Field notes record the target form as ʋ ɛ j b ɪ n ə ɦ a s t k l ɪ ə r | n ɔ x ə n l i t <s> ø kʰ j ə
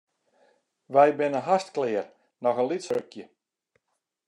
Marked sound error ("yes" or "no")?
no